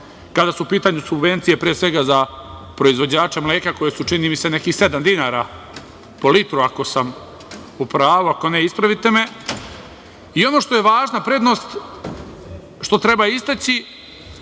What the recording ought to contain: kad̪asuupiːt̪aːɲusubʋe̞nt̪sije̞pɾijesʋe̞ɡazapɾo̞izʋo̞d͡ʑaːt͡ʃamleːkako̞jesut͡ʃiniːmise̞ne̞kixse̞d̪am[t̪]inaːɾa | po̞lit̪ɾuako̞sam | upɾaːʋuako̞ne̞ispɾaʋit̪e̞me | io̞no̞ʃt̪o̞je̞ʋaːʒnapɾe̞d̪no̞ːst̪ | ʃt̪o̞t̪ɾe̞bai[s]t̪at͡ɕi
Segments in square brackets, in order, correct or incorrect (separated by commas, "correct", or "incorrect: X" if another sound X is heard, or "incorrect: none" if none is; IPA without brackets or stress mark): incorrect: d̪, correct